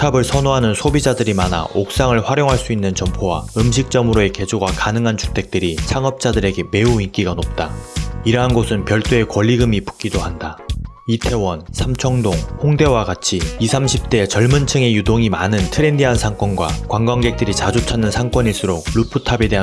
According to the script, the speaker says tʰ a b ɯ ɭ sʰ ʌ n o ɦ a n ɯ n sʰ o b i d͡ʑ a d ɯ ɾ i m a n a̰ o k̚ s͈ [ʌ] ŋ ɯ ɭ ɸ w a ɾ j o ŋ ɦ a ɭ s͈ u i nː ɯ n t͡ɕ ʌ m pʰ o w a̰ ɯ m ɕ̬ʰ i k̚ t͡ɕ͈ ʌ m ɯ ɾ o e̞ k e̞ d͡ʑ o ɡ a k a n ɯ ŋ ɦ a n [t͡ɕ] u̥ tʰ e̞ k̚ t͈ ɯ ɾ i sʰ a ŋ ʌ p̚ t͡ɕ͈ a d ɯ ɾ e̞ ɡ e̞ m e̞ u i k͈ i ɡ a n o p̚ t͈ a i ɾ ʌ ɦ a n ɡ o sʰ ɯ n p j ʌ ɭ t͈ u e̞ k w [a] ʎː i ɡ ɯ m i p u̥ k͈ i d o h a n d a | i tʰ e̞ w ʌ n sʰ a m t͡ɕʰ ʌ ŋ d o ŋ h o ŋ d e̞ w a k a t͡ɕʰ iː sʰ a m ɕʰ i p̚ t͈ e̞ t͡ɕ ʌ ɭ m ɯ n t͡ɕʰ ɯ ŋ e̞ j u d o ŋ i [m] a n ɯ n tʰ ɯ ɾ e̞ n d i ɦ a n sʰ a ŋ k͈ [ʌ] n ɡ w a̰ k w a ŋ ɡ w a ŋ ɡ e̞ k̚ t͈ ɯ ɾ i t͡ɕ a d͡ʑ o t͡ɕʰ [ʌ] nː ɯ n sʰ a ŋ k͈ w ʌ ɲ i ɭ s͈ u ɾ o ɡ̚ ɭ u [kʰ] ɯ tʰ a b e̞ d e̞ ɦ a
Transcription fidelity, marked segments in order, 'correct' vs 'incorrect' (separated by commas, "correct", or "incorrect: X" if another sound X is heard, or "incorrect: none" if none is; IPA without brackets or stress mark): incorrect: a, correct, incorrect: ʌ, correct, correct, incorrect: a, incorrect: pʰ